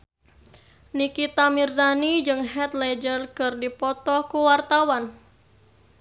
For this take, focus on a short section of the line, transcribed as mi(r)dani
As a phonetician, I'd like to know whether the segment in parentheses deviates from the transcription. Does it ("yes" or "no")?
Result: no